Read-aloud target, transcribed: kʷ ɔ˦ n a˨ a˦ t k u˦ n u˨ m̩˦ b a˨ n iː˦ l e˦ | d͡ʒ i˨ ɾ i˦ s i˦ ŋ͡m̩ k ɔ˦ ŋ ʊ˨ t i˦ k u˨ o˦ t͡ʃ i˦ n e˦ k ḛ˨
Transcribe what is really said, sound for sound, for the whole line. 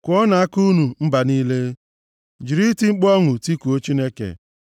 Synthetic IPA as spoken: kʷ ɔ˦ n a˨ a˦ k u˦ n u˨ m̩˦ b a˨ n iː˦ l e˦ | d͡ʒ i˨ ɾ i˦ t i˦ ŋ͡m̩ k͡p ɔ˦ ŋ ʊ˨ t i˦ k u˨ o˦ t͡ʃ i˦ n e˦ k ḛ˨